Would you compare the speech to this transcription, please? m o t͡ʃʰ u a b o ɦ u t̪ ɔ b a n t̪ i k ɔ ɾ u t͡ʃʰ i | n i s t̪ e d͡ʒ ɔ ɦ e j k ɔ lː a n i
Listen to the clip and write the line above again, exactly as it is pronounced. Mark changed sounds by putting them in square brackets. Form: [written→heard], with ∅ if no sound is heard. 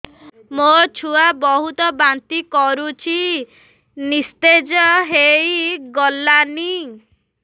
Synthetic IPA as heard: m o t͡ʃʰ u a b [o→ɔ] ɦ u t̪ ɔ b a n t̪ i k ɔ ɾ u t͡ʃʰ i | n i s t̪ e d͡ʒ ɔ ɦ e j [k→ɡ] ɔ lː a n i